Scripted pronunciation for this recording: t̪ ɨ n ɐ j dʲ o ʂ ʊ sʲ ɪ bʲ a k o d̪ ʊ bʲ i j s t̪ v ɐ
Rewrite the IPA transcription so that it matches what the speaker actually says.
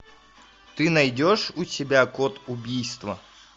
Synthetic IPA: t̪ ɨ n ɐ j dʲ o ʂ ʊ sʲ ɪ bʲ a k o t̪ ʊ bʲ i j s t̪ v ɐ